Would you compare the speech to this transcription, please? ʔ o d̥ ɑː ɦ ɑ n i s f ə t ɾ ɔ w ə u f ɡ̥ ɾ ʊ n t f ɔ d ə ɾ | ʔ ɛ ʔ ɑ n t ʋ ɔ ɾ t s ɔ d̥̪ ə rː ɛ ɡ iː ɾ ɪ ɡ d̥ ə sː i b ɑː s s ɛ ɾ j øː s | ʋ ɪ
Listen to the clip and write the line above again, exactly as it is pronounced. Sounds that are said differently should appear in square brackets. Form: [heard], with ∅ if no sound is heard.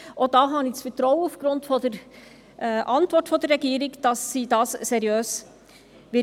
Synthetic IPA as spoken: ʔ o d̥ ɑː ɦ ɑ n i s f ə t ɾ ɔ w ə u f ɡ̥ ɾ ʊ n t f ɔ d ə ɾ | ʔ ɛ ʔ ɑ n t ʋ ɔ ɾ t [f] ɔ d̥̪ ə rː ɛ ɡ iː ɾ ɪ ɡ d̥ [ɑ] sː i [d] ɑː s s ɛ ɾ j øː s | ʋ ɪ